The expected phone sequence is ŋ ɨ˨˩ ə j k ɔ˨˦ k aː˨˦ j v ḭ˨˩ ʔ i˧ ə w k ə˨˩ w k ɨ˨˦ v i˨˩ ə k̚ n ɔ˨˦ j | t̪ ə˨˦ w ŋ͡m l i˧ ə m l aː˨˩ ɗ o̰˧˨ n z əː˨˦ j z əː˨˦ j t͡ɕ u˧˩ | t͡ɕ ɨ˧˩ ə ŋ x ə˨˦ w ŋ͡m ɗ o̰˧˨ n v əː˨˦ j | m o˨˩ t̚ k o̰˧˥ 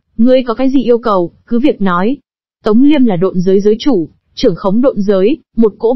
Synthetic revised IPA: ŋ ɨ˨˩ ə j k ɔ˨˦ k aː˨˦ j z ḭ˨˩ ʔ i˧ ə w k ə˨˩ w k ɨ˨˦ v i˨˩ ə k̚ n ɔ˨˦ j | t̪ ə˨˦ w ŋ͡m l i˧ ə m l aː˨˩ ɗ o̰˧˨ n z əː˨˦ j z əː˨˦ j t͡ɕ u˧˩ | t͡ɕ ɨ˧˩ ə ŋ x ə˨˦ w ŋ͡m ɗ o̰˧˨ n z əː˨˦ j | m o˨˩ t̚ k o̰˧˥